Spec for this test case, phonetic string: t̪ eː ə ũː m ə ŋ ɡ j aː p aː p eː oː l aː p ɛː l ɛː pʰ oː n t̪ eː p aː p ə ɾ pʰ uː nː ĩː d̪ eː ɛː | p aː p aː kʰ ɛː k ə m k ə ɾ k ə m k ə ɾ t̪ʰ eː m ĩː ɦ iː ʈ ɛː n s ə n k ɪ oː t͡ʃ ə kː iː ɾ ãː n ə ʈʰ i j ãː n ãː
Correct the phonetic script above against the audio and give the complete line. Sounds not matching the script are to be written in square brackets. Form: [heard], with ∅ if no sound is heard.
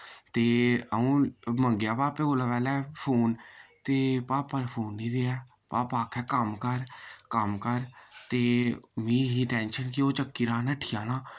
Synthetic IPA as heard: t̪ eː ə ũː m ə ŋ ɡ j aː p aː p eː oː l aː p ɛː l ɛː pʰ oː n t̪ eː p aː p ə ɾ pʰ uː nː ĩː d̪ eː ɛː | p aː p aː kʰ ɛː k ə m k ə ɾ k ə m k ə ɾ [t̪] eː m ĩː ɦ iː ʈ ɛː n [ʃ] ə n k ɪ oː t͡ʃ ə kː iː ɾ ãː n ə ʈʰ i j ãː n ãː